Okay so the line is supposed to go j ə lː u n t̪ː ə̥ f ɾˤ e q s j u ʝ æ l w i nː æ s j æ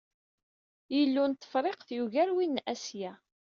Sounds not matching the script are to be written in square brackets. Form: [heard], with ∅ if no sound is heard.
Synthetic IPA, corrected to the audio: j ə lː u n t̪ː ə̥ f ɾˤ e q [θ] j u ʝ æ [ɾ] w i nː æ s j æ